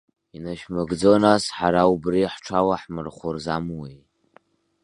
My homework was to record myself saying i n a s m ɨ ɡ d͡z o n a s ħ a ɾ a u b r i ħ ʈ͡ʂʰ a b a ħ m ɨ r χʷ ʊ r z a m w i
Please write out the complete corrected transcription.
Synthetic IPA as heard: i n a ʃ m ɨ ɡ d͡z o n a s ħ a ɾ a u b r i ħ ʈ͡ʂʰ a w a ħ m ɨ r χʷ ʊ r z a m w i